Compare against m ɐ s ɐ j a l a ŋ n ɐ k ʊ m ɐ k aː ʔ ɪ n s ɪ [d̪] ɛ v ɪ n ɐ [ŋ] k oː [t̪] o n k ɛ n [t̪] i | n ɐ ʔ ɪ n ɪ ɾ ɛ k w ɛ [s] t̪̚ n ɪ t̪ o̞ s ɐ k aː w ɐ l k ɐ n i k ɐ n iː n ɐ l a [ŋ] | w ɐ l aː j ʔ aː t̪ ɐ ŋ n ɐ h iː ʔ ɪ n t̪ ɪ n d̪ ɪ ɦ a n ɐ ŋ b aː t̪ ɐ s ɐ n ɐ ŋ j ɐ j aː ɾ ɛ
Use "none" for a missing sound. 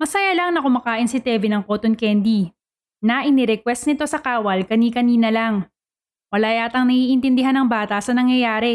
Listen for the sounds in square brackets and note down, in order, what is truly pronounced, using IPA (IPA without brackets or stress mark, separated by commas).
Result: t̪, ŋ, t̪, d̪, s, ŋ